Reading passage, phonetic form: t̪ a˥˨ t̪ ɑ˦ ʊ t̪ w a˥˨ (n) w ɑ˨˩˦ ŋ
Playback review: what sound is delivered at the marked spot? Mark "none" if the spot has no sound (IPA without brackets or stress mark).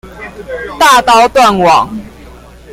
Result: n